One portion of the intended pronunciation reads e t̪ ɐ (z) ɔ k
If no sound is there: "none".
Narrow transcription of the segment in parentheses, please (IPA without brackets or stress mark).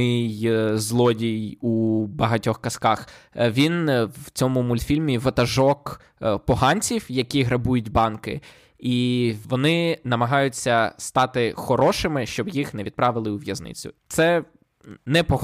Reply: ʒ